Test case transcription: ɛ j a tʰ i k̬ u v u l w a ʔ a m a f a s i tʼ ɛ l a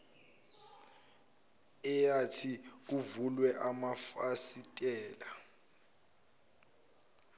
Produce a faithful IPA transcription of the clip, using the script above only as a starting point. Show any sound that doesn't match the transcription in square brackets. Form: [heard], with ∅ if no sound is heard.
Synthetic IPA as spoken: ɛ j a tʰ i k̬ u v u l w [ɛ] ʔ a m a f a s i tʼ [ɛː] l a